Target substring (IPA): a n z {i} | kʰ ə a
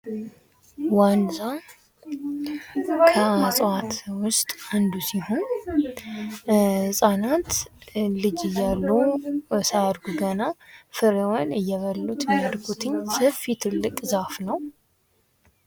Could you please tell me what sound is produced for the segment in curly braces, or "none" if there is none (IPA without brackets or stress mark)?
a